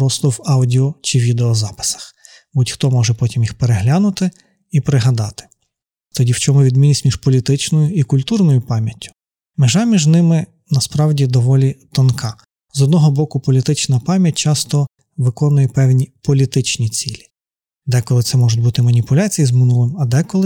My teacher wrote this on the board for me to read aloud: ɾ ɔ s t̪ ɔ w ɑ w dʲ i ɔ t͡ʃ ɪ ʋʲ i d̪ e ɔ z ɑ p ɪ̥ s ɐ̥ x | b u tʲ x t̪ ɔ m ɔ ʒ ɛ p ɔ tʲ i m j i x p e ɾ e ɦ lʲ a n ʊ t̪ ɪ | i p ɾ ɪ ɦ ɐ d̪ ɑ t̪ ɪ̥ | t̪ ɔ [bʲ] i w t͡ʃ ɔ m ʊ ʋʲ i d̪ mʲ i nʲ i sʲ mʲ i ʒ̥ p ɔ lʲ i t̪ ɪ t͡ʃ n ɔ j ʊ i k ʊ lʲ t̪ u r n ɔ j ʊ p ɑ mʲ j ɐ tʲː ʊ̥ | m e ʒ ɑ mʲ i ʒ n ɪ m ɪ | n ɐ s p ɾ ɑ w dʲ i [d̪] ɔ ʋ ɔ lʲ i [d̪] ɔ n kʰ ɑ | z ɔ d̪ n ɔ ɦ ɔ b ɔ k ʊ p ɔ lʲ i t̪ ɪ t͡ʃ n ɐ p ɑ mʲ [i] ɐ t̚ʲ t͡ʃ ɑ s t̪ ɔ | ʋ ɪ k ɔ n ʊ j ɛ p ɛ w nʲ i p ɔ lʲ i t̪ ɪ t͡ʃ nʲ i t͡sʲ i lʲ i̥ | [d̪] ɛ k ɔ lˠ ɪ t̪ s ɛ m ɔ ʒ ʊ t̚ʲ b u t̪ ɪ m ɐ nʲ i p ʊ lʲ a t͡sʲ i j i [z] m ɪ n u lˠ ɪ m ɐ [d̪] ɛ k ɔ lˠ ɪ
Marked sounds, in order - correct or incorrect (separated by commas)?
incorrect, correct, incorrect, incorrect, correct, correct, correct